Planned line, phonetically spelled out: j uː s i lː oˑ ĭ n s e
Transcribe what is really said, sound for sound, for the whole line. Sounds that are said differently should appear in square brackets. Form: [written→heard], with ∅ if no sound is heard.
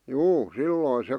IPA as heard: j uː s i lː oˑ ĭ n s e